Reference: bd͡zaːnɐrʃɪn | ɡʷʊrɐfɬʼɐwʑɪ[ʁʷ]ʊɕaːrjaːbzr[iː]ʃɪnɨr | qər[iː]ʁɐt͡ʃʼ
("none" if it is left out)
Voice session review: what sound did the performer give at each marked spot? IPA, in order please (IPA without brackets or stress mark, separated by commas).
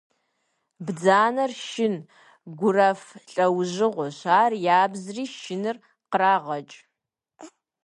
ʁʷ, iː, aː